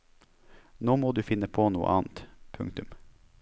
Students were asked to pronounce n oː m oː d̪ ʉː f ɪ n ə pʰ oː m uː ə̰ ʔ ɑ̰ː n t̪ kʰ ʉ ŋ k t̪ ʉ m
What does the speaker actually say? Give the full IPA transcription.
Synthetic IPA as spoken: n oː m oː d̪ ʉː f ɪ n ə pʰ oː n uː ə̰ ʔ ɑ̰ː n t̪ pʰ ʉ ŋ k t̪ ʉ m